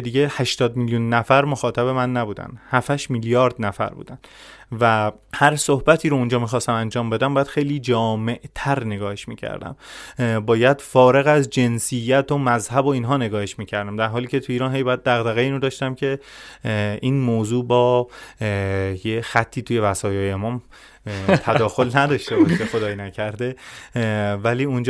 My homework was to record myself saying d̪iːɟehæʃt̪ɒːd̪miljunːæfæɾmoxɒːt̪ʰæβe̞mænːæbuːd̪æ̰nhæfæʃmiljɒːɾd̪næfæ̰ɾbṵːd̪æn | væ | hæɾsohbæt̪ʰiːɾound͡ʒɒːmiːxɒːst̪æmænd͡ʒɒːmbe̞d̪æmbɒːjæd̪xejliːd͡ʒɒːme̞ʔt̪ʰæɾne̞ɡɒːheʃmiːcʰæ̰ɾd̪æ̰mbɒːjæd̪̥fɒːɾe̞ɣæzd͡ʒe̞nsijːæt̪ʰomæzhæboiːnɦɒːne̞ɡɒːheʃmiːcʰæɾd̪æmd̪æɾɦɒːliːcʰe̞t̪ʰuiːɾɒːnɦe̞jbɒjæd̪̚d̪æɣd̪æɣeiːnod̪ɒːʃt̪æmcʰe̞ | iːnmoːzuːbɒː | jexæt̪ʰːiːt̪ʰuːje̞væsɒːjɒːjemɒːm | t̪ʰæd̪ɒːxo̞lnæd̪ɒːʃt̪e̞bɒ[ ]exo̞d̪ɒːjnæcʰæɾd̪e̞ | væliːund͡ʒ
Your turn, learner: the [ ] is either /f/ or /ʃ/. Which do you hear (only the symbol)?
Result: ʃ